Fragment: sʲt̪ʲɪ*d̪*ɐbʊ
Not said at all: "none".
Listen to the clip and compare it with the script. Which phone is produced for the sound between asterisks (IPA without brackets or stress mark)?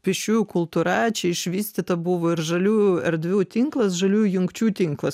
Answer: t̪